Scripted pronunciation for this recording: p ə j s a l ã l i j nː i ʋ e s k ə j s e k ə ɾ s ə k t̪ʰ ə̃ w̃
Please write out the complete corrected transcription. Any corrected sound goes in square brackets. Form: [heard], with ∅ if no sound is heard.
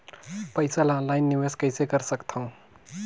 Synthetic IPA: p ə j s a l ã l [a] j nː i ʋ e s k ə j s e k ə ɾ s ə k t̪ʰ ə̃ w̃